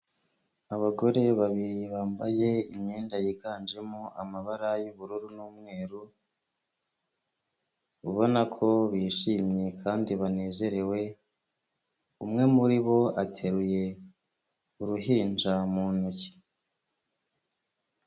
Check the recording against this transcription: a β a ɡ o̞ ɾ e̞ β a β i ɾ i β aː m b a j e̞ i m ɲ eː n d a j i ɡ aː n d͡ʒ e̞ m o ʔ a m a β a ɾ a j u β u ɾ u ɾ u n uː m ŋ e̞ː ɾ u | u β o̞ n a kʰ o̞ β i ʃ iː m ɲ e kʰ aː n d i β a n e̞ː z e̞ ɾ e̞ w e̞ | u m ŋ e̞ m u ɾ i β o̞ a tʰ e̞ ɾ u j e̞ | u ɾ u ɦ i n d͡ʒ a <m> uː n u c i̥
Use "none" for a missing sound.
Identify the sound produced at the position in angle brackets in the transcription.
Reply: m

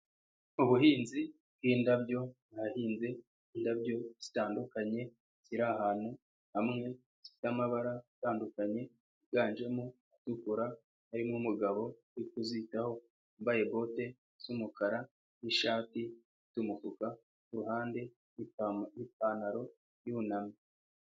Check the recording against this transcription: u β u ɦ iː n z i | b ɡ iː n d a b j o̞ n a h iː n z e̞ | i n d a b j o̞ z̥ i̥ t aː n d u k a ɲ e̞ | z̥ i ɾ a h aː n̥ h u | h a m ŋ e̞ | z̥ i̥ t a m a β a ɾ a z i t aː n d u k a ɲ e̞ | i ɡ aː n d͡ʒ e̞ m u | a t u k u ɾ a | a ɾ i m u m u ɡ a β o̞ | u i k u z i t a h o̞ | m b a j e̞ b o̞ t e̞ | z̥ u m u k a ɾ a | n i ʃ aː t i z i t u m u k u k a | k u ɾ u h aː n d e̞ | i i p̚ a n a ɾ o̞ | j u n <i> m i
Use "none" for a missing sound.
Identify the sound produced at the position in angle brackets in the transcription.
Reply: a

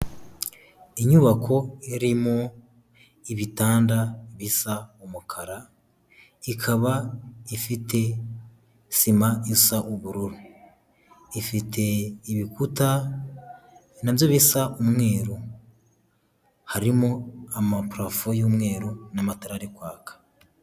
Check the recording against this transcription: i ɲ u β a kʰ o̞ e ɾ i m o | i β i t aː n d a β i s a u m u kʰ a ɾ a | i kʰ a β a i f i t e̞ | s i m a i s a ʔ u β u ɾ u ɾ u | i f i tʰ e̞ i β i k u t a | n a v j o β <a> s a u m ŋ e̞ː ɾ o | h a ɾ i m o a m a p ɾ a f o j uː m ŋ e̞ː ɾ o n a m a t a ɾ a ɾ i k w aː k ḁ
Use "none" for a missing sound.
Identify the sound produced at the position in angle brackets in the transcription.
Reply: i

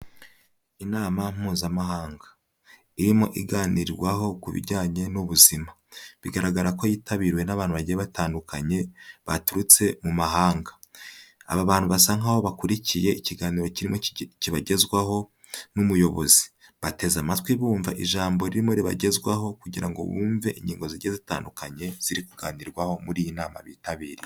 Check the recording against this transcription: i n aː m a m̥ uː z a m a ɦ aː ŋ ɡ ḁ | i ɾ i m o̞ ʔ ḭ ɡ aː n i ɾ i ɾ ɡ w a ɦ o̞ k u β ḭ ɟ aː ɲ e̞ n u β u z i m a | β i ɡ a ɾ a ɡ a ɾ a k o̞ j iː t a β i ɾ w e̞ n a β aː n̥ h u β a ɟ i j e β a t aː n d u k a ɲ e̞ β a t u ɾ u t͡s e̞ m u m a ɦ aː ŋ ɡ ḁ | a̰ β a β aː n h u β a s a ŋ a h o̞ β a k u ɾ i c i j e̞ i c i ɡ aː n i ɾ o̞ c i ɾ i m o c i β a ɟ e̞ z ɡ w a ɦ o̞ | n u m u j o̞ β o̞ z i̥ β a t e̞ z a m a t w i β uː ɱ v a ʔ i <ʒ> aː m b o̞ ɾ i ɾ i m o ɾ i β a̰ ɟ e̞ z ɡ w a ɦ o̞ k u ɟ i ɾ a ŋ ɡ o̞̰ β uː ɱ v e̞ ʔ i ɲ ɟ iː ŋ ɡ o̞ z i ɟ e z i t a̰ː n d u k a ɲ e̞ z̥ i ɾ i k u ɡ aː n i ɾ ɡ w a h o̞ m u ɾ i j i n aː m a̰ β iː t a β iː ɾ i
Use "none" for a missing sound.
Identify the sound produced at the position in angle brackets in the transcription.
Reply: ʒ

